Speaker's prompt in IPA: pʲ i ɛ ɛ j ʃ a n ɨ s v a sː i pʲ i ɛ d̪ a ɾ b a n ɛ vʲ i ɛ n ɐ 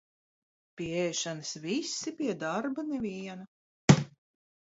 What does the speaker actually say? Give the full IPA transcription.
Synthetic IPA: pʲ i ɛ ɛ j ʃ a n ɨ s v i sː i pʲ i ɛ d̪ a ɾ b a n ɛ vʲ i ɛ n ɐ